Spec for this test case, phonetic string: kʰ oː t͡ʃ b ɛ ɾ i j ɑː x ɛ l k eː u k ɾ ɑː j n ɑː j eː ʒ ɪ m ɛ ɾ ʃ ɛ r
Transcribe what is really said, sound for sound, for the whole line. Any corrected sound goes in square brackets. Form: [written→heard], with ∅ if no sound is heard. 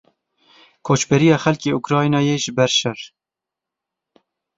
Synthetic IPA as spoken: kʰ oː t͡ʃ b ɛ ɾ i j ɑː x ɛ l k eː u k ɾ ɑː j n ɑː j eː ʒ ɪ [m→b] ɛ ɾ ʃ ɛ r